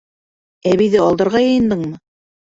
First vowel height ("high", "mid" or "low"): low